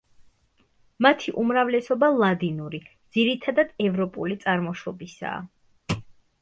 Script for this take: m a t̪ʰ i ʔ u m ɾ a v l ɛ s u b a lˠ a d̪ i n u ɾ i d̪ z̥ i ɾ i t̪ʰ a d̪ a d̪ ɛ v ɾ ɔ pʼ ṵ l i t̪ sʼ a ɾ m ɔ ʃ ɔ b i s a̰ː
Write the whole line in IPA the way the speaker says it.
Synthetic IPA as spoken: m a t̪ʰ i ʔ u m ɾ a v l ɛ s ɔ b a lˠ a d̪ i n u ɾ i d̪ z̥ i ɾ i t̪ʰ a d̪ a d̪ ɛ v ɾ ɔ pʼ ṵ l i t̪ sʼ a ɾ m ɔ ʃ ɔ b i s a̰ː